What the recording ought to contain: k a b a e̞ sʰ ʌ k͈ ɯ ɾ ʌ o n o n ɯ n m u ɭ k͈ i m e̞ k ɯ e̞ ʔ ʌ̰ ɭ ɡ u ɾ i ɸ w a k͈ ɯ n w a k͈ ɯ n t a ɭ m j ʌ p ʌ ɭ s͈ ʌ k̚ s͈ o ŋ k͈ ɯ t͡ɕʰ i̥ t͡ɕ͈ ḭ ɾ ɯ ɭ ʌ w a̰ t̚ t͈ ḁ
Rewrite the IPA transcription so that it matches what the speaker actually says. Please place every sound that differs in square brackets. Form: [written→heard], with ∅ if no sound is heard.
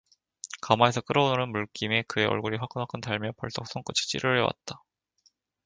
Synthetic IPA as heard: k a [b→m] a e̞ sʰ ʌ k͈ ɯ ɾ ʌ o n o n ɯ n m u ɭ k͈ i m e̞ k ɯ e̞ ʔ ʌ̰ ɭ ɡ u ɾ i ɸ w a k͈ ɯ n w a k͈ ɯ n t a ɭ m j ʌ p ʌ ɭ s͈ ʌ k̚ s͈ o ŋ k͈ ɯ t͡ɕʰ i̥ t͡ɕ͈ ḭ ɾ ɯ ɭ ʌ w a̰ t̚ t͈ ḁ

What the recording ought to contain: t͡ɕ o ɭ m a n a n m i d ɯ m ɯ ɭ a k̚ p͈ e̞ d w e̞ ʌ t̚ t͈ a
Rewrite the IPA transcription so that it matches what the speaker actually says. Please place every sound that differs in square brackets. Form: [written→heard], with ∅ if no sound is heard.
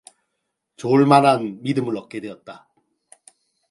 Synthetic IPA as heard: t͡ɕ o ɭ m a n a n m i d ɯ m ɯ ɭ [a→ʌ] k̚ [p͈→k͈] e̞ d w e̞ ʌ t̚ t͈ a

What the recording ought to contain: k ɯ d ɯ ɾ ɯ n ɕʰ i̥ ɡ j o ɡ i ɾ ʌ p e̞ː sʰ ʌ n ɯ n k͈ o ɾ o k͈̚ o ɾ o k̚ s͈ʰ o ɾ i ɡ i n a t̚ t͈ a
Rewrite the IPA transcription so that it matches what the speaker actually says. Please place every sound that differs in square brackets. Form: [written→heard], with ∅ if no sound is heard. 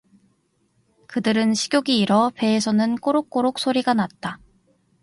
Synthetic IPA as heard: k ɯ d ɯ ɾ ɯ n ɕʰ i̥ ɡ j o ɡ [i→iː] ɾ ʌ p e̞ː sʰ ʌ n ɯ n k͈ o ɾ o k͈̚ o ɾ o k̚ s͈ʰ o ɾ i ɡ [i→a] n a t̚ t͈ a

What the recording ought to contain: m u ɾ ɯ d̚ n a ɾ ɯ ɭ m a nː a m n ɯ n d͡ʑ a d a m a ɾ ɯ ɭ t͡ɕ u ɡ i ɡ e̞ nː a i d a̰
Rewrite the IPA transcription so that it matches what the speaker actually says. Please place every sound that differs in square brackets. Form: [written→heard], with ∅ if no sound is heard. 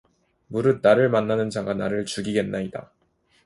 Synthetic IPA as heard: m u ɾ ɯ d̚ n a ɾ ɯ ɭ m a nː a [m→∅] n ɯ n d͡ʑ a [d→ɡ] a [m→n] a ɾ ɯ ɭ t͡ɕ u ɡ i ɡ e̞ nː a i d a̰

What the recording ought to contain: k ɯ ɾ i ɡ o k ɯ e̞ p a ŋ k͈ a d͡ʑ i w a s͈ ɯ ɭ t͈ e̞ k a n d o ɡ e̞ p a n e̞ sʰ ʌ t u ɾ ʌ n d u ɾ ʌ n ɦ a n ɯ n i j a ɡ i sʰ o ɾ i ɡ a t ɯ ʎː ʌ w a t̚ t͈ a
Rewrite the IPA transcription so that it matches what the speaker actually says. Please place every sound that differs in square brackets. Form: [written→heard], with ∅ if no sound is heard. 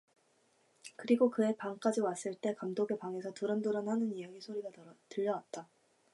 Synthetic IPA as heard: k ɯ ɾ i ɡ o k ɯ e̞ p a ŋ k͈ a d͡ʑ i w a s͈ ɯ ɭ t͈ e̞ k a [n→m] d o ɡ e̞ p a [n→ŋ] e̞ sʰ ʌ t u ɾ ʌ n d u ɾ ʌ n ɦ a n ɯ n i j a ɡ i sʰ o ɾ i ɡ a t ɯ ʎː ʌ w a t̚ t͈ a

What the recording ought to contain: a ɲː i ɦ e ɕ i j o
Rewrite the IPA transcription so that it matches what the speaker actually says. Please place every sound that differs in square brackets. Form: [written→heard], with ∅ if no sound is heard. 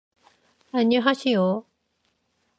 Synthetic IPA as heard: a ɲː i ɦ [e→a] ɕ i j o

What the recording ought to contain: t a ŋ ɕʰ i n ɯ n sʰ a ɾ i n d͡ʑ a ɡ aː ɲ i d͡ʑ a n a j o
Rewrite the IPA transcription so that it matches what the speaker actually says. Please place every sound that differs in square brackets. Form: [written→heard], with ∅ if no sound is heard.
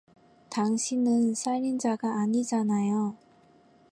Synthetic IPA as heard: t a ŋ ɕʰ i n ɯ n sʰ a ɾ i n d͡ʑ a ɡ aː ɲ i d͡ʑ a n a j o

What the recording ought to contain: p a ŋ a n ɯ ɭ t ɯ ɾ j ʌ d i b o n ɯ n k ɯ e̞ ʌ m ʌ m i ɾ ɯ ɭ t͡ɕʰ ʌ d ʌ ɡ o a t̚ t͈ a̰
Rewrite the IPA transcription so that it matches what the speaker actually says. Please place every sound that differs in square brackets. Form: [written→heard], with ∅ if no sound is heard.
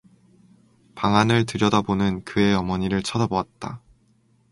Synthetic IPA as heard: p a ŋ a n ɯ ɭ t ɯ ɾ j ʌ d [i→a] b o n ɯ n k ɯ e̞ ʌ m ʌ [m→ɲ] i ɾ ɯ ɭ t͡ɕʰ ʌ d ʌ [ɡ→b] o a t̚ t͈ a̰

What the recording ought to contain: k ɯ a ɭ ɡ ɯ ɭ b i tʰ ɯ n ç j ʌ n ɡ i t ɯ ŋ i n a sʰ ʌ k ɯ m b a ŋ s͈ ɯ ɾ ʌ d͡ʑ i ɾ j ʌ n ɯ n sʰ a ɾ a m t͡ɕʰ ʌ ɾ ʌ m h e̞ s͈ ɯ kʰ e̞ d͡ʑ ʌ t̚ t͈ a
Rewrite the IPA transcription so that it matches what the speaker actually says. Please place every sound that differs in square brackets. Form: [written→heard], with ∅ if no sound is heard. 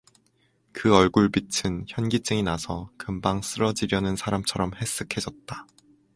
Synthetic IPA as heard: k ɯ [a→ʌ] ɭ ɡ [ɯ→u] ɭ b i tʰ ɯ n ç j ʌ n ɡ i [t→t͡ɕ͈] ɯ ŋ i n a sʰ ʌ k ɯ m b a ŋ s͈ ɯ ɾ ʌ d͡ʑ i ɾ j ʌ n ɯ n sʰ a ɾ a m t͡ɕʰ ʌ ɾ ʌ m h e̞ s͈ ɯ kʰ e̞ d͡ʑ ʌ t̚ t͈ a

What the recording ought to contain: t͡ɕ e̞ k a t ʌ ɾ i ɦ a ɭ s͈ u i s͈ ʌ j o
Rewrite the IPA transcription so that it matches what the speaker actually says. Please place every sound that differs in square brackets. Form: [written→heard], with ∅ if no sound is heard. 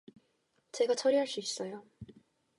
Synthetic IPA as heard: t͡ɕ e̞ [k→ɡ] a [t→t͡ɕʰ] ʌ ɾ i ɦ a ɭ s͈ u i s͈ ʌ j o

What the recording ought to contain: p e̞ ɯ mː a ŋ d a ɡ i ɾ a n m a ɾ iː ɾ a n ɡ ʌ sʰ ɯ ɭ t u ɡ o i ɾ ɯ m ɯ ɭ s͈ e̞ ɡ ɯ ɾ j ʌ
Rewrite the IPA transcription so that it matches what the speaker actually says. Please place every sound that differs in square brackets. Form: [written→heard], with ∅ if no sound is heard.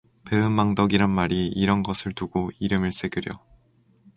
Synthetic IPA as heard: p e̞ ɯ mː a ŋ d [a→ʌ] ɡ i ɾ a n m a ɾ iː ɾ [a→ʌ] n ɡ ʌ sʰ ɯ ɭ t u ɡ o i ɾ ɯ m ɯ ɭ s͈ e̞ ɡ ɯ ɾ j ʌ

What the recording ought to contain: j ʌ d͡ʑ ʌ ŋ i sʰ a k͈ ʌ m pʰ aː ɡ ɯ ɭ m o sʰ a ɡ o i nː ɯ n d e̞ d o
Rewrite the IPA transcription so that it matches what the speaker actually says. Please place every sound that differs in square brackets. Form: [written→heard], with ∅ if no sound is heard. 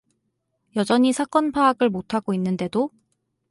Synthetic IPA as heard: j ʌ d͡ʑ ʌ [ŋ→ɲ] i sʰ a k͈ ʌ [m→n] pʰ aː ɡ ɯ ɭ m o [sʰ→tʰ] a ɡ o i nː ɯ n d e̞ d o

